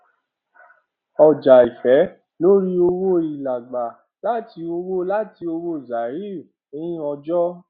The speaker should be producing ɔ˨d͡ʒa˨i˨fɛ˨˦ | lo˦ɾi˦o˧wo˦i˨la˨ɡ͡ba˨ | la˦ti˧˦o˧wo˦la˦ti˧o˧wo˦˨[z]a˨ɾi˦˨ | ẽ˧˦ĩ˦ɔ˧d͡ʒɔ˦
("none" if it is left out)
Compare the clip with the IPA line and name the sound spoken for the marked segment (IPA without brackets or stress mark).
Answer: z